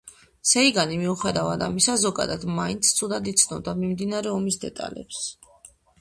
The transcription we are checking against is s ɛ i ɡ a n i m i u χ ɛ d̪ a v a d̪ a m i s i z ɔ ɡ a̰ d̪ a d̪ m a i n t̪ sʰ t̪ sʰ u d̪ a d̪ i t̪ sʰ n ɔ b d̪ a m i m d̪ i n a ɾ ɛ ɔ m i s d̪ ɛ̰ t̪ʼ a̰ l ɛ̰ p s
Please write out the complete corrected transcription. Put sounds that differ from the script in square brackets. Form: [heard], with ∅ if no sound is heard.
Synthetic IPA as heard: s ɛ i ɡ a n i m i u χ ɛ d̪ a v a d̪ a m i s [a] z ɔ ɡ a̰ d̪ a d̪ m a i n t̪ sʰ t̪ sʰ u d̪ a d̪ i t̪ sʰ n ɔ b d̪ a m i m d̪ i n a ɾ ɛ ɔ m i s d̪ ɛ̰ t̪ʼ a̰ l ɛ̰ p s